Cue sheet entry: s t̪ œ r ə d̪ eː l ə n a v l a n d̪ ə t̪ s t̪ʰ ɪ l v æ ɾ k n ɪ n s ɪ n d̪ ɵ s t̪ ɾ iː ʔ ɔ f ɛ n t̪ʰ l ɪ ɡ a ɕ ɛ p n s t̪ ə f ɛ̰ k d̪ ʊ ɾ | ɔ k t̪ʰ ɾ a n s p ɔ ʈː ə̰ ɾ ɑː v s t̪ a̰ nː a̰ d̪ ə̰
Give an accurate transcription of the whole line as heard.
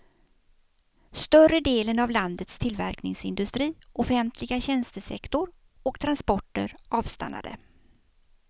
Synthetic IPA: s t̪ œ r ə d̪ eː l ə n a v l a n d̪ ə t̪ s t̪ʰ ɪ l v æ ɾ k n ɪ ŋ s ɪ n d̪ ɵ s t̪ ɾ iː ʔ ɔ f ɛ n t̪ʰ l ɪ ɡ a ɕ ɛ n s t̪ ə s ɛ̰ k t̪ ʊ ɾ | ɔ k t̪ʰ ɾ a n s p ɔ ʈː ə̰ ɾ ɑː v s t̪ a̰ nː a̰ d̪ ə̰